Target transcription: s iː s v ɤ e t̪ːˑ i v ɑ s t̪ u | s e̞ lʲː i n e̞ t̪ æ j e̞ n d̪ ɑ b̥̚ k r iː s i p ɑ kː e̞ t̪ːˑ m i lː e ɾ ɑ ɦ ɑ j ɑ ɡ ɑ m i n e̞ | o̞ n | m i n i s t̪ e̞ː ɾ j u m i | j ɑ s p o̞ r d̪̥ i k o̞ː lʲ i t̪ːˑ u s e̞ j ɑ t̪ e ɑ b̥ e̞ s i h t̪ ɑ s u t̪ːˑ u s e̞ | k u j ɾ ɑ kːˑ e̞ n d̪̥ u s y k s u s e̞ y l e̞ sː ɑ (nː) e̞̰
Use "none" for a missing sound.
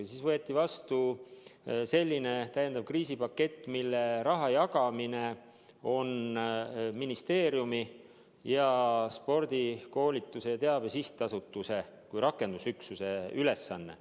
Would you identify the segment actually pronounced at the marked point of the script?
nː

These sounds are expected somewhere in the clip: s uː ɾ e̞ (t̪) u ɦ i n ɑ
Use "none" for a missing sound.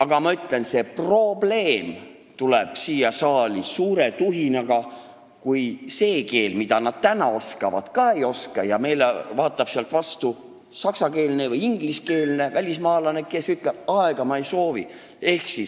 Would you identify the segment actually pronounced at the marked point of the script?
t̪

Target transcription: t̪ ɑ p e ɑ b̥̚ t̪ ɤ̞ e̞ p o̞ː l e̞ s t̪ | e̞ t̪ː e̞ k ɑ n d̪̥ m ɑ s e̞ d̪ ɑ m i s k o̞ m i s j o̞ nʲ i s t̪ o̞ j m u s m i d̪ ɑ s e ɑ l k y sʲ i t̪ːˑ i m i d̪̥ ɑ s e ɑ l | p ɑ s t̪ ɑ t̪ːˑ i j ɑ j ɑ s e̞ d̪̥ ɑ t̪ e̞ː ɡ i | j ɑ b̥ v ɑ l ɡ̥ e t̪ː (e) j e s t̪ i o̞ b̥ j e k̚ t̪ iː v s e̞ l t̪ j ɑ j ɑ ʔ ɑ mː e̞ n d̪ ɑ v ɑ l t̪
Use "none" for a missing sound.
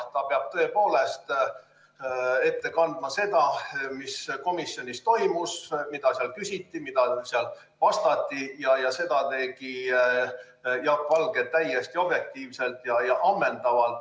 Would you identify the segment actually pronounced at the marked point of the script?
æ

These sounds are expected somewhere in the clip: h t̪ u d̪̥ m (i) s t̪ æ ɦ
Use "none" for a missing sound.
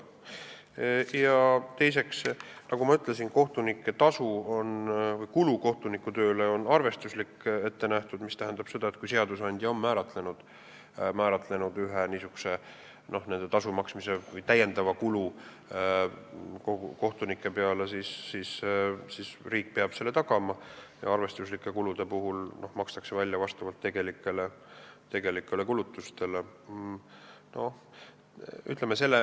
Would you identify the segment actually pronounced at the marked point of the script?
i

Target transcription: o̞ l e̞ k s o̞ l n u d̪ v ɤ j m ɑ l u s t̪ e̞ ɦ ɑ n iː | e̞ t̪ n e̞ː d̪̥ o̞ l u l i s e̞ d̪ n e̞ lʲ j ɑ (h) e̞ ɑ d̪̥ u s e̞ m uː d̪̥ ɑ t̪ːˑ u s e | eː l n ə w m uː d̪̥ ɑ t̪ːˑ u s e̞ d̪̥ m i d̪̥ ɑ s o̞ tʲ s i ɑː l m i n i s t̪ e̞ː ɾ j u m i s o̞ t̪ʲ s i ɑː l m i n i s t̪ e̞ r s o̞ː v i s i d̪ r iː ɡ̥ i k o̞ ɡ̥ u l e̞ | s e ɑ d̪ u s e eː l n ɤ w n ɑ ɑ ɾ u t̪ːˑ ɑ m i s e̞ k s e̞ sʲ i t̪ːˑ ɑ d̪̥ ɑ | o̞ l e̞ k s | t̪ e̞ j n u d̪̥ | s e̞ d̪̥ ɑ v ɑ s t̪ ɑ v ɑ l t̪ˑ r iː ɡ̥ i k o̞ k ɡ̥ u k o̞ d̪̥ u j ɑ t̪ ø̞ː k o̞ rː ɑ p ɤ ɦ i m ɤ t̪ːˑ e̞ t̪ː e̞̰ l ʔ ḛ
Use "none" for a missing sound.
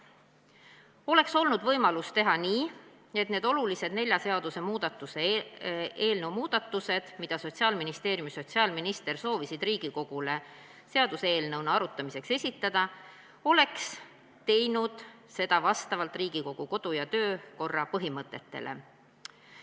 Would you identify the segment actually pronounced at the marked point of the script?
s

